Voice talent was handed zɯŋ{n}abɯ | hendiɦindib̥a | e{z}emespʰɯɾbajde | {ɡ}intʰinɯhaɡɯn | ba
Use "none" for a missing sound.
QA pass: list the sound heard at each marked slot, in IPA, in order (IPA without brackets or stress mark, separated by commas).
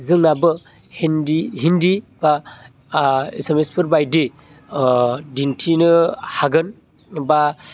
n, s, d